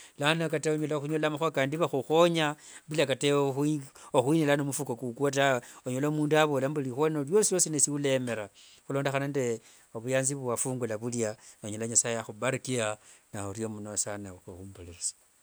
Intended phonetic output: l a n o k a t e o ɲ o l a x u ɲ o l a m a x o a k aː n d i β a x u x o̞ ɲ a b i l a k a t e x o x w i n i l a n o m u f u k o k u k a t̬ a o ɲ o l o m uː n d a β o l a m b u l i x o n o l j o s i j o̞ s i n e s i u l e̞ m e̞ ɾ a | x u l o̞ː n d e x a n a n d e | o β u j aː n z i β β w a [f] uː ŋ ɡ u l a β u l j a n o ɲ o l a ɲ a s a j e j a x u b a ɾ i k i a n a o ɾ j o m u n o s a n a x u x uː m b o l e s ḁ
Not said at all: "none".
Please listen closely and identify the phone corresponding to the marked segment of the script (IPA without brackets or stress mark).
f